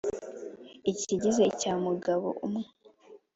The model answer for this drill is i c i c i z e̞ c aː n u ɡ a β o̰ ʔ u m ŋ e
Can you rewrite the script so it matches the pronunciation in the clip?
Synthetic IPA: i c i ɟ i z e̞ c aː m u ɡ a β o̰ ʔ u m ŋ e